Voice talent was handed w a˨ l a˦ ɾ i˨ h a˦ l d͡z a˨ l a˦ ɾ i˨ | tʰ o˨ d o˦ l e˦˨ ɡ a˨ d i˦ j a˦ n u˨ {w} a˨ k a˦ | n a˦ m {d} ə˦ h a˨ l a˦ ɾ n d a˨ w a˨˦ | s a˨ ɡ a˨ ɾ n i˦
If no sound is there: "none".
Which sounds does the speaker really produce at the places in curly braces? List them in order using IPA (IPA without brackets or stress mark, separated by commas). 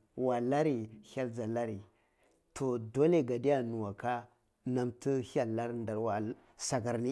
w, t